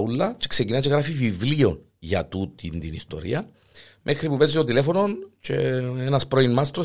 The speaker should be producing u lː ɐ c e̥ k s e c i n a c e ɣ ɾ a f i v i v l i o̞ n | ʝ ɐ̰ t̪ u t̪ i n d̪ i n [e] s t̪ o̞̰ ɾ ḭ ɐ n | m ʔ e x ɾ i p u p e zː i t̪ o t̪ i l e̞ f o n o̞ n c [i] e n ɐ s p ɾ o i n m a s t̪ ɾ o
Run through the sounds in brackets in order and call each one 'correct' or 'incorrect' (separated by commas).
incorrect, incorrect